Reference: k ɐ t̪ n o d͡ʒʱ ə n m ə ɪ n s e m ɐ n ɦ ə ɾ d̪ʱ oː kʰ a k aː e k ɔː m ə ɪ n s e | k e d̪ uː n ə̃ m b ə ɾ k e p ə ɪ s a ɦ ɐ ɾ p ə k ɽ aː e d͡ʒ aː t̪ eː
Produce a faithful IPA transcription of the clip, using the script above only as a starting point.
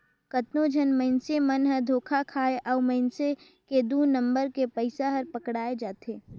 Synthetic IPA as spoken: k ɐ t̪ n o d͡ʒʱ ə n m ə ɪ n s e m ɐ n ɦ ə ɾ d̪ʱ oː kʰ a kʰ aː e ʔ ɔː m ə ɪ n s e | k e d̪ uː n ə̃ m b ə ɾ k e p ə ɪ s a ɦ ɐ ɾ p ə k ɽ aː e d͡ʒ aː t̪ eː